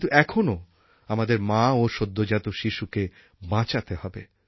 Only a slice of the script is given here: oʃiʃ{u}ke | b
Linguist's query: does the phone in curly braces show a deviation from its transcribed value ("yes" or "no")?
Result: no